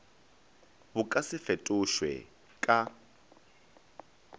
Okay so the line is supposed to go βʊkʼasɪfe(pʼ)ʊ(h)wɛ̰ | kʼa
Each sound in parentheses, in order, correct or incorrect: incorrect: tʼ, incorrect: ʃ

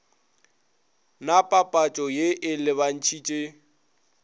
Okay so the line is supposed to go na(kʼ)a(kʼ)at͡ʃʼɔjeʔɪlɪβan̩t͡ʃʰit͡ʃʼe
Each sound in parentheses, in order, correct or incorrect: incorrect: pʼ, incorrect: pʼ

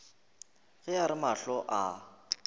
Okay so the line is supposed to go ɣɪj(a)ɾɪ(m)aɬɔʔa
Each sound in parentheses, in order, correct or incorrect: correct, correct

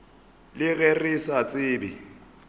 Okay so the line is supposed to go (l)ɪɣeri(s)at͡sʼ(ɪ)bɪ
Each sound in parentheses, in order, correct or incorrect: correct, correct, incorrect: ɪː

